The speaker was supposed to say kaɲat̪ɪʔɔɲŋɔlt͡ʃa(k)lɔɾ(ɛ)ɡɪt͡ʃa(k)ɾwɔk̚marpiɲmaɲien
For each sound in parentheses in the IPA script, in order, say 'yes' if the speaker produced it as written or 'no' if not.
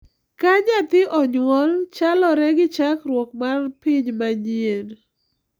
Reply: no, yes, yes

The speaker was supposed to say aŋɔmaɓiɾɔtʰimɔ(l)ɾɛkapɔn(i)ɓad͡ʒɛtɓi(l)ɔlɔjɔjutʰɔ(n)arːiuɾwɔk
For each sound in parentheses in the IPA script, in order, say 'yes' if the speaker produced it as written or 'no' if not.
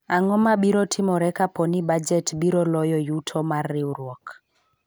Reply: no, yes, no, no

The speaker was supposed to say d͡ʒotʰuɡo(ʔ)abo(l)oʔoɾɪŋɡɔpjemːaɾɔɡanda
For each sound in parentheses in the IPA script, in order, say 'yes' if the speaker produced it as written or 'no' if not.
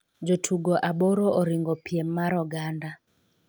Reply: yes, no

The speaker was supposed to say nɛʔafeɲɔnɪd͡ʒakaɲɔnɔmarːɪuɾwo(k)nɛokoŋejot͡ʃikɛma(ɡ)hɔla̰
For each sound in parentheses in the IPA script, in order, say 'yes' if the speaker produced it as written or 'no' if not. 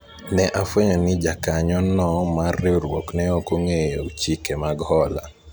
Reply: yes, yes

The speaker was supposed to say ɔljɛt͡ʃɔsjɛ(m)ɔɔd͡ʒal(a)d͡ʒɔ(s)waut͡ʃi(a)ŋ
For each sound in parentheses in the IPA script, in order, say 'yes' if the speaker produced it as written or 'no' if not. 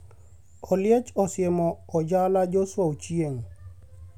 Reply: yes, yes, yes, no

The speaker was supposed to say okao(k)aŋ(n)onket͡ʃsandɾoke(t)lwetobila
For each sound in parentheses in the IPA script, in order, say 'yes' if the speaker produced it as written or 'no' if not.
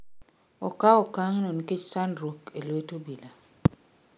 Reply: yes, yes, no

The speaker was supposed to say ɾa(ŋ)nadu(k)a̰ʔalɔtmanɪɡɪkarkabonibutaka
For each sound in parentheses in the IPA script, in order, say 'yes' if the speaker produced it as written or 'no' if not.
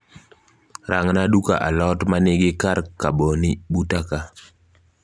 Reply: yes, yes

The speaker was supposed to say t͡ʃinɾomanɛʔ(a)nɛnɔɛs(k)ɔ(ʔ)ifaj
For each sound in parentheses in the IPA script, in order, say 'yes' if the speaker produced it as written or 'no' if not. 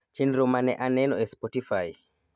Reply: yes, no, no

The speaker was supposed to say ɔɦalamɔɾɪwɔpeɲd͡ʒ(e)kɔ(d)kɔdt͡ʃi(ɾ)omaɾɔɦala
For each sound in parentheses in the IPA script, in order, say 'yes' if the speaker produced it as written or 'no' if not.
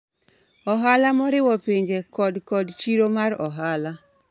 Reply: yes, yes, yes

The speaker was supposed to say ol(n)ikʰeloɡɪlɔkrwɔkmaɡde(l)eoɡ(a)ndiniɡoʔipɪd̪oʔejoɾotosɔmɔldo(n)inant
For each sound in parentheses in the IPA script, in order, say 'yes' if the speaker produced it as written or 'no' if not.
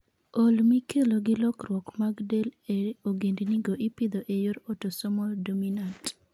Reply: no, yes, no, no

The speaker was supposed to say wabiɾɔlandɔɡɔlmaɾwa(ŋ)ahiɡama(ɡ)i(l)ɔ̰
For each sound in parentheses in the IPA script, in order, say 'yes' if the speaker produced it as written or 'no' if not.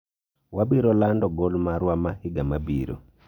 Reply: no, no, no

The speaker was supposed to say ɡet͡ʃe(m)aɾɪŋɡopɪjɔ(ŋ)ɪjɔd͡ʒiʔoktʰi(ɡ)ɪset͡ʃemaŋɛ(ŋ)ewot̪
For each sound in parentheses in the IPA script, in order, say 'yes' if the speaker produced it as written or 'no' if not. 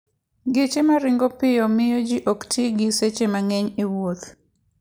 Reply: yes, no, yes, no

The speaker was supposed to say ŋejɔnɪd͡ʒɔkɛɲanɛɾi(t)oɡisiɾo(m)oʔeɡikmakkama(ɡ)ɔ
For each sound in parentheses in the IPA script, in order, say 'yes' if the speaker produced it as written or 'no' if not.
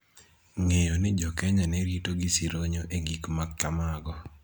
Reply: yes, no, yes

